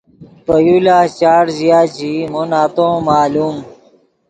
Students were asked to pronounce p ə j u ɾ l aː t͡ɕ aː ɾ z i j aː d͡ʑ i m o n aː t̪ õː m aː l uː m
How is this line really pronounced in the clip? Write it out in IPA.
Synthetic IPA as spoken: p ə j u l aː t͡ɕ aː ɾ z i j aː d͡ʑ i m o n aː t̪ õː m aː l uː m